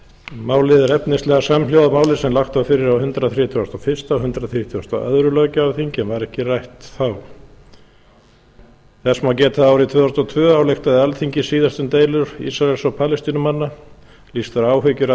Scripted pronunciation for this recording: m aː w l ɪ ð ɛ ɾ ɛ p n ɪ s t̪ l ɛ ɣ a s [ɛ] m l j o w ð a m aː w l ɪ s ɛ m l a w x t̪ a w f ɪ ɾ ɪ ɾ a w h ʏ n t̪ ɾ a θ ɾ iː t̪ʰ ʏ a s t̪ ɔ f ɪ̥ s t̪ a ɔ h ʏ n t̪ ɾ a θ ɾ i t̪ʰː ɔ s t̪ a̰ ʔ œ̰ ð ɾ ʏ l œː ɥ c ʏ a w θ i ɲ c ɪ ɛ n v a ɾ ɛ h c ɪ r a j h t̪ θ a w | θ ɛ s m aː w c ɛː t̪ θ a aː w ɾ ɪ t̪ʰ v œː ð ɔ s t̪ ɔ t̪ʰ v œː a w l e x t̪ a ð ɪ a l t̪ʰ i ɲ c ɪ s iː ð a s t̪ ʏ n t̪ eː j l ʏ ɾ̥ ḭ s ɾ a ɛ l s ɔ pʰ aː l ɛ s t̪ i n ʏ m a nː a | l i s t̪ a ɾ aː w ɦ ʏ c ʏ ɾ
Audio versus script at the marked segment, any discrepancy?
yes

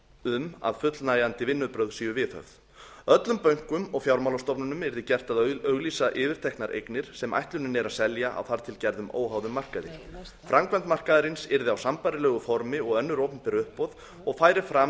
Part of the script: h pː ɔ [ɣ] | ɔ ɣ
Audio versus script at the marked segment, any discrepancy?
yes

